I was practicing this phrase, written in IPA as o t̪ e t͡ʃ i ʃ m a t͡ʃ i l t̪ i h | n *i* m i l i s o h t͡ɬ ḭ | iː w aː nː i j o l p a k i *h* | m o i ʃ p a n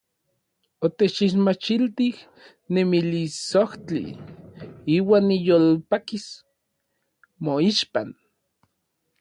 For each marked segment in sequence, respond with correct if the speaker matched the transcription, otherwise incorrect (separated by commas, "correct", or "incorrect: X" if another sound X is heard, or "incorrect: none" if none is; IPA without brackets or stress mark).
incorrect: e, incorrect: s